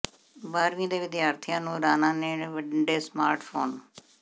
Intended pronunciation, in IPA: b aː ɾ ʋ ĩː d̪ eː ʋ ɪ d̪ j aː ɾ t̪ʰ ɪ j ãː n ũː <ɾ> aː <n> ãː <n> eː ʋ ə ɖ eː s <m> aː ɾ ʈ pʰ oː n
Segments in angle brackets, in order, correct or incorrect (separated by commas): correct, correct, correct, correct